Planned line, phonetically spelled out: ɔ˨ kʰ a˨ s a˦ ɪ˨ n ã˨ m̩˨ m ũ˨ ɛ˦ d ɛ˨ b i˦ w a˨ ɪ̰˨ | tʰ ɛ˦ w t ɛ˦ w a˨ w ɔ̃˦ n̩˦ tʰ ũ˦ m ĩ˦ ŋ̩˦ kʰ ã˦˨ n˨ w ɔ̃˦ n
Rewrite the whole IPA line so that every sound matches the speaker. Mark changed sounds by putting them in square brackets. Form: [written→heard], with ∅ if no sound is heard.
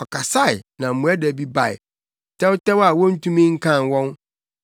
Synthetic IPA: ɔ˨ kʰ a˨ s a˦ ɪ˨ n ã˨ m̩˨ m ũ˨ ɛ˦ d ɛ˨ b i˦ [w→b] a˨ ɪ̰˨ | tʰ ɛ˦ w t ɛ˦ w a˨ w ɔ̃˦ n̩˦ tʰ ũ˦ m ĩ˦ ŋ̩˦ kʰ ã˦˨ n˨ w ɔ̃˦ n